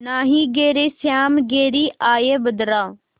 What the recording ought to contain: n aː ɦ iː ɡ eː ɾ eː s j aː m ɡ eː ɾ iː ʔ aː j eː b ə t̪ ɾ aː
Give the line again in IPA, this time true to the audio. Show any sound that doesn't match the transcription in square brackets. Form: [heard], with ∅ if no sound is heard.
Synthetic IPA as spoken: n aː ɦ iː ɡ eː ɾ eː s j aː m ɡ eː ɾ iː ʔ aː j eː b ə [d̪] ɾ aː

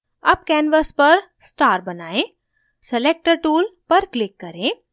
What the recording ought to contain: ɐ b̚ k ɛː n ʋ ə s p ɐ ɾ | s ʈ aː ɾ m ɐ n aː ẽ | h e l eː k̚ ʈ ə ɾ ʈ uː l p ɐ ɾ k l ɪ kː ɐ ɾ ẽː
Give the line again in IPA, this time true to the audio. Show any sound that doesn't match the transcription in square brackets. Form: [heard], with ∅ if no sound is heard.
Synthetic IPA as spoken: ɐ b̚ k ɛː n ʋ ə s p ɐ ɾ | s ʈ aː ɾ [b] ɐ n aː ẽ | [s] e l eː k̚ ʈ ə ɾ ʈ uː l p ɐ ɾ k l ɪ kː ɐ ɾ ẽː

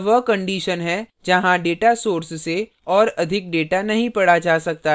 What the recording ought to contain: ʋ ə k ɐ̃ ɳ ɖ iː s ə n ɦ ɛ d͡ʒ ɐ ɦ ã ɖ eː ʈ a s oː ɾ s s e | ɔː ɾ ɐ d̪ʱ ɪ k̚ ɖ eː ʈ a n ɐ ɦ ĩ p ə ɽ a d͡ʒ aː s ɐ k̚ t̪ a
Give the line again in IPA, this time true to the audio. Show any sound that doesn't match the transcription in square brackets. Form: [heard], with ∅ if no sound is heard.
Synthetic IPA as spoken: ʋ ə k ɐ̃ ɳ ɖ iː [ʃ] ə n ɦ ɛ d͡ʒ ɐ ɦ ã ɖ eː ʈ a s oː ɾ s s e | ɔː ɾ ɐ d̪ʱ ɪ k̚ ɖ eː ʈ a n ɐ ɦ ĩ p [ɐ] ɽ a d͡ʒ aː s ɐ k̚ t̪ a

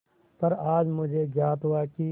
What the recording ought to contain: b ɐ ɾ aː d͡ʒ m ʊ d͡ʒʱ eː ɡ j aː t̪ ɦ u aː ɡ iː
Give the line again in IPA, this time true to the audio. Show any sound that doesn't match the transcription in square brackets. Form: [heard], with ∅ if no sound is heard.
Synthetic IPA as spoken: [p] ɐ ɾ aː d͡ʒ m ʊ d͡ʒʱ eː ɡ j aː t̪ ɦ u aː [k] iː

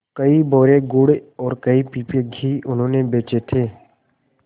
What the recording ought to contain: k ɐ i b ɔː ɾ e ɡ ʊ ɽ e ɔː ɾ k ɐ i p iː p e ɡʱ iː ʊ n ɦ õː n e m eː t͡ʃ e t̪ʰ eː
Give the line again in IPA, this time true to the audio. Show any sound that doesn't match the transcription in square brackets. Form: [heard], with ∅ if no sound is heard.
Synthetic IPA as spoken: k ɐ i b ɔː ɾ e ɡ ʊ ɽ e ɔː ɾ k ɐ i p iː p e ɡʱ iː ʊ n ɦ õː n e [b] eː t͡ʃ e t̪ʰ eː

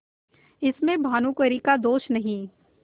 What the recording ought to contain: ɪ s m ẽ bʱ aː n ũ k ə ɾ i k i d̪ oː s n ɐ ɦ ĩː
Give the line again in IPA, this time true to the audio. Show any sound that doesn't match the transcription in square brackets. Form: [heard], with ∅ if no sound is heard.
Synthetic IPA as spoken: ɪ s m ẽ bʱ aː n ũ k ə ɾ i k [a] d̪ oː [ʃ] n ɐ ɦ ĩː

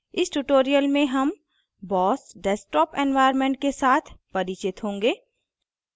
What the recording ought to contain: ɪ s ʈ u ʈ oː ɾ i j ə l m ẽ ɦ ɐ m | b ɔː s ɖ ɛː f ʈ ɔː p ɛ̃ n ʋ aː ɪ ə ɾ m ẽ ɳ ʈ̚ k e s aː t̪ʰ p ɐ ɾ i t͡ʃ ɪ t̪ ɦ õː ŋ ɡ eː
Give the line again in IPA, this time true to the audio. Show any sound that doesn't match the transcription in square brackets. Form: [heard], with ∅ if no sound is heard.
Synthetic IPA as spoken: ɪ s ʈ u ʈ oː ɾ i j ə l m ẽ ɦ ɐ m | b ɔː s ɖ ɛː [s] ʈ ɔː p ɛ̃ n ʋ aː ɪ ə ɾ m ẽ ɳ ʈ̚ k e s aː t̪ʰ p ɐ ɾ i t͡ʃ ɪ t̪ ɦ õː ŋ ɡ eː

